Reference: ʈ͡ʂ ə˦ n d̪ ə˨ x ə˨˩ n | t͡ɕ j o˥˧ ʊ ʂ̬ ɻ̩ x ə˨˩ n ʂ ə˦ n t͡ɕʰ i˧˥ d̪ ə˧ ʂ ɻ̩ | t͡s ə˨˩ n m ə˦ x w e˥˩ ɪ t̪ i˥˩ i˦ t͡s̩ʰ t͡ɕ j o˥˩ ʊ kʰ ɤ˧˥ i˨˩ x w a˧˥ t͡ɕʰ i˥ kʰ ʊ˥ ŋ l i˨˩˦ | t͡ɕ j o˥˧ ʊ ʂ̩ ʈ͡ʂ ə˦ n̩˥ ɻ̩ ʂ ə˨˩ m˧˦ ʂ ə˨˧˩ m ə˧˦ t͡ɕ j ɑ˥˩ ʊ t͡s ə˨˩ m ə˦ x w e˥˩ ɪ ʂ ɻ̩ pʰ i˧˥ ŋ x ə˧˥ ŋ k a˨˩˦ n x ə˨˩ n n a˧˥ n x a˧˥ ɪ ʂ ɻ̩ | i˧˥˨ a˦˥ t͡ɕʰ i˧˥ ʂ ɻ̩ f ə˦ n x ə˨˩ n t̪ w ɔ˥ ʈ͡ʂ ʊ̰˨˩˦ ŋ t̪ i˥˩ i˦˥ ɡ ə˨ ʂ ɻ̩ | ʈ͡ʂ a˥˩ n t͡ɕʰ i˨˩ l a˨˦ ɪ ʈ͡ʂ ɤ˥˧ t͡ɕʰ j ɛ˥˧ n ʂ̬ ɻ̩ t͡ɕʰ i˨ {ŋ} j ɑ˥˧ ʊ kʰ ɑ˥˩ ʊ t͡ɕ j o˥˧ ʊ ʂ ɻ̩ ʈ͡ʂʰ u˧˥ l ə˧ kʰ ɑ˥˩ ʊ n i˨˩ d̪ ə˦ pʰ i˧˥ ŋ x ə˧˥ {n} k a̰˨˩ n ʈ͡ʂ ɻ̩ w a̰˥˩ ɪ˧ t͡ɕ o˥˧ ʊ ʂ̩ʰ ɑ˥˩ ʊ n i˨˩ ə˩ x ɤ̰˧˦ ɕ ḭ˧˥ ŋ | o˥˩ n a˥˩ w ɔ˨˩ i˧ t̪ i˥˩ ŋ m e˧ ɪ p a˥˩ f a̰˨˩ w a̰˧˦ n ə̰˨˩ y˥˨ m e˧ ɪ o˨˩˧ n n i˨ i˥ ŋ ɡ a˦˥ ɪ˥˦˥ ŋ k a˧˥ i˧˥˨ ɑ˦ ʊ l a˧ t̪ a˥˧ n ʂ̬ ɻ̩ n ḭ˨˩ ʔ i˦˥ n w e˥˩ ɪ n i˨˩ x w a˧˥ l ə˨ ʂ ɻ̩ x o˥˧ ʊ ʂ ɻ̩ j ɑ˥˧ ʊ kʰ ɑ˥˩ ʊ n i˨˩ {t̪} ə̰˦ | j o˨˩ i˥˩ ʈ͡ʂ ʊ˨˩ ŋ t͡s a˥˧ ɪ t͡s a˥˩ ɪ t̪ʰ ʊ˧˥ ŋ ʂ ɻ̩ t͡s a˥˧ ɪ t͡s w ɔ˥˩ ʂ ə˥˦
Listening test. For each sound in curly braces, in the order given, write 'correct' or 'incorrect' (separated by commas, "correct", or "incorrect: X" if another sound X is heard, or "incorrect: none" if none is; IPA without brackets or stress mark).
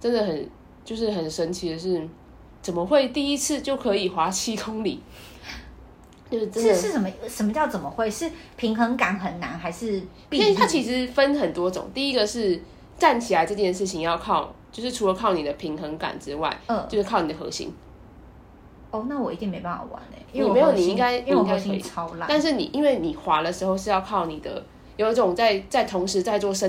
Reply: correct, incorrect: ŋ, incorrect: d̪